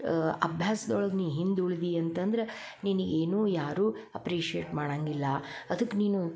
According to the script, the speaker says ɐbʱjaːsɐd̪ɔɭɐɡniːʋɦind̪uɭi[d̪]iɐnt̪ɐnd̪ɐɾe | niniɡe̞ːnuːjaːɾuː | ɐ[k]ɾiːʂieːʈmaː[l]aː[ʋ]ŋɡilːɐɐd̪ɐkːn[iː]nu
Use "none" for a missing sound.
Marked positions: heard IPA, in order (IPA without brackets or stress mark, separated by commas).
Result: d̪, p, ɽ, none, iː